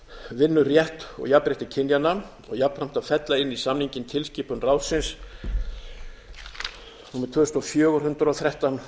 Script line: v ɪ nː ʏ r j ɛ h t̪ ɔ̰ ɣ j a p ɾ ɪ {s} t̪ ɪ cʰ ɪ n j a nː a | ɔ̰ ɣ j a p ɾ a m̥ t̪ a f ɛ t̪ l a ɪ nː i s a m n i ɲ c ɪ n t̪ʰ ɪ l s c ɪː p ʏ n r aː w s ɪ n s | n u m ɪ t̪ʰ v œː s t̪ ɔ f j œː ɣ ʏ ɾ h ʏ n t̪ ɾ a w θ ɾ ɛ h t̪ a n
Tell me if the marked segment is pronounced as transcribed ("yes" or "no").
no